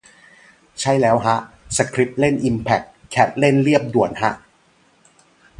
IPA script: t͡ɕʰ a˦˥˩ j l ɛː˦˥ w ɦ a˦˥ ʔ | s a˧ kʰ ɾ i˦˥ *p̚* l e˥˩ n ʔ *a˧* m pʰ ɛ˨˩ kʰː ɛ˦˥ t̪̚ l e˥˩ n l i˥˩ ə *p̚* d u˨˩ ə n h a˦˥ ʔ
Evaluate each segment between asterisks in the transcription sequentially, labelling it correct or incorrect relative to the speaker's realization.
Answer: correct, incorrect: i˧, correct

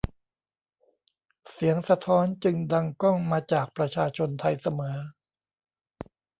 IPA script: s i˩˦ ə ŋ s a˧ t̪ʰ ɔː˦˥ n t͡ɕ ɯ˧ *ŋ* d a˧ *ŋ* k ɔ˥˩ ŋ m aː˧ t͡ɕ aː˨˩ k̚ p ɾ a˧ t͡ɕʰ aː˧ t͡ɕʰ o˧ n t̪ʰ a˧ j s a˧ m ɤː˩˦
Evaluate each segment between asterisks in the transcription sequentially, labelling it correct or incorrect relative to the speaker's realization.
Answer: correct, correct

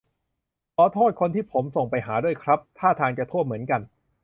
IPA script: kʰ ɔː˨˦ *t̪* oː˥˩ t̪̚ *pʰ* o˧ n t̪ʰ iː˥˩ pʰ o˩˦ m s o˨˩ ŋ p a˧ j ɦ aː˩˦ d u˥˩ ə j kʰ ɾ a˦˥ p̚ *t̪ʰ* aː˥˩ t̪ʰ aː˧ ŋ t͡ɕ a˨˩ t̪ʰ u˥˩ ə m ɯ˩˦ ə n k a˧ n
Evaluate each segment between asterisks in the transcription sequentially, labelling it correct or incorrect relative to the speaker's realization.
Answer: incorrect: t̪ʰ, incorrect: kʰ, correct

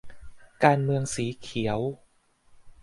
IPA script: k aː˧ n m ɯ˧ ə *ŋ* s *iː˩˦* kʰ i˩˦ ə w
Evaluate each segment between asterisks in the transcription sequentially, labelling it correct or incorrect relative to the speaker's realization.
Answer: correct, correct

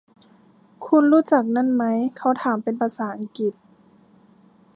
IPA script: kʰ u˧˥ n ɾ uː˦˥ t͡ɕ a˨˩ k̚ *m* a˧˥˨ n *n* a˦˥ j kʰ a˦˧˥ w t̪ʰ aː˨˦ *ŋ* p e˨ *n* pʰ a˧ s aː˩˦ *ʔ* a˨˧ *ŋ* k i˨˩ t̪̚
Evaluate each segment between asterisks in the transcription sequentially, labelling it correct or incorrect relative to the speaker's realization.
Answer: incorrect: n, incorrect: m, incorrect: m, correct, correct, correct

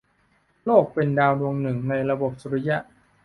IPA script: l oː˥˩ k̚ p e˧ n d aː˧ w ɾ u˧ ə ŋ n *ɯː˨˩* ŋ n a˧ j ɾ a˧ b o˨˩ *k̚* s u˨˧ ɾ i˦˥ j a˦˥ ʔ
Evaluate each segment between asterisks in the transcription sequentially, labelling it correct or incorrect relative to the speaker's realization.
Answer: incorrect: ɯ˨˩, incorrect: p̚

